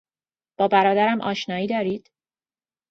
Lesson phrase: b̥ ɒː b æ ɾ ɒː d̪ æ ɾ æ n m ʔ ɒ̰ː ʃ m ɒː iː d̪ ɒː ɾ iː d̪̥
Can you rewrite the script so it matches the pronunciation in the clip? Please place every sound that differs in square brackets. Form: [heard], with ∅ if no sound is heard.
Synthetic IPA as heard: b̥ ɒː b æ ɾ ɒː d̪ æ ɾ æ [∅] m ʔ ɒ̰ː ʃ [n] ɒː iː d̪ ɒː ɾ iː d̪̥